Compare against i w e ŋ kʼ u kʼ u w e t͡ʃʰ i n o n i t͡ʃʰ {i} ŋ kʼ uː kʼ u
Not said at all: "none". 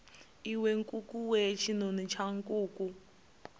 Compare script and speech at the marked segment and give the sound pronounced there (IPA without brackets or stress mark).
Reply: a